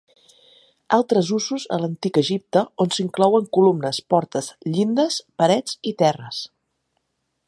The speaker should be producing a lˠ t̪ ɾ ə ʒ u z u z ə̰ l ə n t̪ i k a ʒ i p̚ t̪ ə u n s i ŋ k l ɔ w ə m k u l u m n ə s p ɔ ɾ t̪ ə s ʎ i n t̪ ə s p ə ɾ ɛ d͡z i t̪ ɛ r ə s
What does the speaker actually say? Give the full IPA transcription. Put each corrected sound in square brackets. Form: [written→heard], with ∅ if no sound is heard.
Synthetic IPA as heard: a lˠ t̪ ɾ ə [ʒ→z] u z u z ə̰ l ə n t̪ i k [a→ə] ʒ i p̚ t̪ ə [u→o] n s i ŋ k l ɔ w ə [m→ŋ] k u l u m n ə s p ɔ ɾ t̪ ə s ʎ i n [t̪→d̪] ə s p ə ɾ ɛ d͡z i t̪ ɛ r ə s